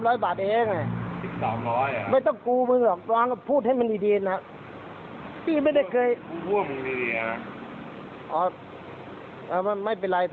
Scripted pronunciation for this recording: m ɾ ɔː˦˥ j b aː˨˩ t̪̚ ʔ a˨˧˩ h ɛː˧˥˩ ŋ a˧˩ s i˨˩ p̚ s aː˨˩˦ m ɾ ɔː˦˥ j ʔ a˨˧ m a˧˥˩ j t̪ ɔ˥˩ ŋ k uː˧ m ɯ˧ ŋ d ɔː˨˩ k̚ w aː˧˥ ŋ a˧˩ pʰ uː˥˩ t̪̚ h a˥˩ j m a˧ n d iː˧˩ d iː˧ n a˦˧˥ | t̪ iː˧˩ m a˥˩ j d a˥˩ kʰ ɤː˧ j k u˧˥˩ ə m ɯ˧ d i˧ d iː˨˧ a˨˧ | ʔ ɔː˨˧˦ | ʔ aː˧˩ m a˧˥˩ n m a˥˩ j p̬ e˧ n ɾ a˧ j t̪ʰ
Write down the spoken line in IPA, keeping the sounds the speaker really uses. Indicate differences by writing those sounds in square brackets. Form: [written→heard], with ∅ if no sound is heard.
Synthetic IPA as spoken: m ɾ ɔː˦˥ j b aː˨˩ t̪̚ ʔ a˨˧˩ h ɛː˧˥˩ ŋ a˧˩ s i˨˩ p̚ s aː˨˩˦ m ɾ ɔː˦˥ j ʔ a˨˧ m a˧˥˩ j t̪ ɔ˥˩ ŋ k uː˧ m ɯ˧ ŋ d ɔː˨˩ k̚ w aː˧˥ ŋ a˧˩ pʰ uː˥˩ t̪̚ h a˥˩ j m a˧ n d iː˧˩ d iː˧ n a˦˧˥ | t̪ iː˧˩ m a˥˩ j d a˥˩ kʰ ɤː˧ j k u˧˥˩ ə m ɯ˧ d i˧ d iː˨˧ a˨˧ | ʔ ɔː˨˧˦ | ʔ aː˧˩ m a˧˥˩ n m a˥˩ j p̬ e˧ n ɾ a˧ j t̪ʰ